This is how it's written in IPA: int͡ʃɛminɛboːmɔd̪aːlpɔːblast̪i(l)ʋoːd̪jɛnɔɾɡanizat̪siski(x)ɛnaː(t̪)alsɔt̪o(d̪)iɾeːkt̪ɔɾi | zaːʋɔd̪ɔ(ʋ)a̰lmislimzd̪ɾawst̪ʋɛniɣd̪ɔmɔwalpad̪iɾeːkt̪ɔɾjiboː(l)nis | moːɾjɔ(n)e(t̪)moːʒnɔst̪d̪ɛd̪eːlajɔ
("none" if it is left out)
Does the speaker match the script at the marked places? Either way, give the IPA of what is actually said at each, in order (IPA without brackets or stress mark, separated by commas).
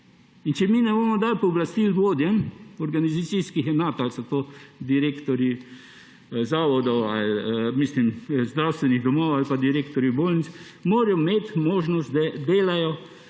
l, x, t̪, d̪, w, l, m, t̪